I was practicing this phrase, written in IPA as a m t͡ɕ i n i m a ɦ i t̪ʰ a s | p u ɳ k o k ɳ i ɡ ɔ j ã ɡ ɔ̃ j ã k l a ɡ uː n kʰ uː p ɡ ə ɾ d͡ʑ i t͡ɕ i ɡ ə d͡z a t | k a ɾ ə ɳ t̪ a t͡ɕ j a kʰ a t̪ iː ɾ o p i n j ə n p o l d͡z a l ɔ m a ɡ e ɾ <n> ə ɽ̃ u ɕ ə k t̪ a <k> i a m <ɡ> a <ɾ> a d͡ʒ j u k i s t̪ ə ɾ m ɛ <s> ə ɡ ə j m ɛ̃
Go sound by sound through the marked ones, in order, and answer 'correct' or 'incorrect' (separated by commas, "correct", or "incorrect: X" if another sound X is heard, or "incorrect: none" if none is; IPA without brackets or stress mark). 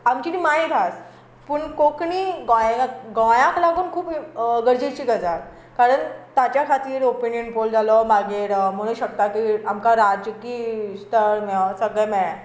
incorrect: m, correct, incorrect: k, correct, correct